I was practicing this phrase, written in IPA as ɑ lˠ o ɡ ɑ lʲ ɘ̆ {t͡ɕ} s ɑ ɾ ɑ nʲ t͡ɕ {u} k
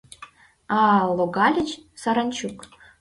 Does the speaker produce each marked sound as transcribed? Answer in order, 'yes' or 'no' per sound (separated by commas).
yes, yes